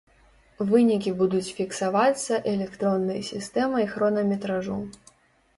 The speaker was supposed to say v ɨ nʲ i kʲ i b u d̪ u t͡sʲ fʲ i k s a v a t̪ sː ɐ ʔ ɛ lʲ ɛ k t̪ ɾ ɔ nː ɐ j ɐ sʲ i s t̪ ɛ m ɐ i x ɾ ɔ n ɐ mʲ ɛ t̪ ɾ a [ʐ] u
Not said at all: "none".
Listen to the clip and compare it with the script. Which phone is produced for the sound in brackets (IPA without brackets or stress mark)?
ʐ